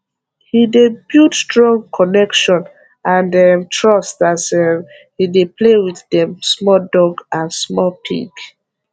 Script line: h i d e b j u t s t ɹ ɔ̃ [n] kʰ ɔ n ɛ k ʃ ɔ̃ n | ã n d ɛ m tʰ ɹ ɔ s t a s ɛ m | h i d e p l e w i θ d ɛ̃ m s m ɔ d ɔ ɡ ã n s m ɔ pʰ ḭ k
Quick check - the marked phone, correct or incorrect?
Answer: incorrect